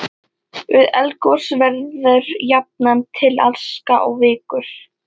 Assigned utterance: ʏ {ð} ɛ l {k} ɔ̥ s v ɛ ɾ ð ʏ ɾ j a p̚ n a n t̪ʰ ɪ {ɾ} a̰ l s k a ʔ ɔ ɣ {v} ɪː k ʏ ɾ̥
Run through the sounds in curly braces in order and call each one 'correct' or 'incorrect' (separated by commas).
correct, correct, incorrect, correct